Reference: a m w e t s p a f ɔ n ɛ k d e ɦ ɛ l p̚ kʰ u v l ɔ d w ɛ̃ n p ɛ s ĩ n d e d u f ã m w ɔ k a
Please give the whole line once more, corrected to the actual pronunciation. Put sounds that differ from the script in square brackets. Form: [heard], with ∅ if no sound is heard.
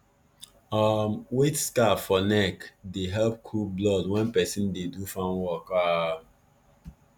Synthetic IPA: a m w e t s [k] a f ɔ n ɛ k d e ɦ ɛ l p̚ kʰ u [b] l ɔ d w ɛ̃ n p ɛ s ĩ n d e d u f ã [n] w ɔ k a